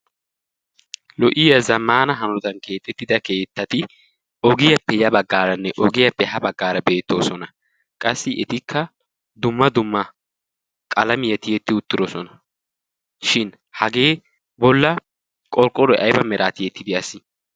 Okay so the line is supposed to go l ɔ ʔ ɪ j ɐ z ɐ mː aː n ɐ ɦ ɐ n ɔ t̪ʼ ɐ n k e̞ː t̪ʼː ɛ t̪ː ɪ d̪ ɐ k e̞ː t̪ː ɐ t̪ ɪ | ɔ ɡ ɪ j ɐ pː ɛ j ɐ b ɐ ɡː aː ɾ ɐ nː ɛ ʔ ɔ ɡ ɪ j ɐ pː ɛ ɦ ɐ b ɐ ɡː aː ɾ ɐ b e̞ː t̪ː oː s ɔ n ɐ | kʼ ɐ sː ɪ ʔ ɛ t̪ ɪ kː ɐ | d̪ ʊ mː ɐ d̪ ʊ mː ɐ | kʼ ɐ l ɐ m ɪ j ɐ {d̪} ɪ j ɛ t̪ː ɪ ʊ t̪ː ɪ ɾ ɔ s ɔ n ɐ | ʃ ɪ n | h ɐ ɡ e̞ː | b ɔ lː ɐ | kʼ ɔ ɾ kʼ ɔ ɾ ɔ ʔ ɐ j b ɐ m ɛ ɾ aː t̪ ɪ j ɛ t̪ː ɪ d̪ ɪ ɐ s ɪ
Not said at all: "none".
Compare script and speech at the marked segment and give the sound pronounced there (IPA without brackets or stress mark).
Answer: t̪